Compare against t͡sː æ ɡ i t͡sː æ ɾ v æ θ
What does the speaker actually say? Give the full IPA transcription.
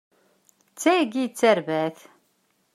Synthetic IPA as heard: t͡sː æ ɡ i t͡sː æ ɾ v æ θ